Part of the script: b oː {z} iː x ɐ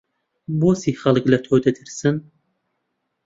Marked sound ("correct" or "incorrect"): incorrect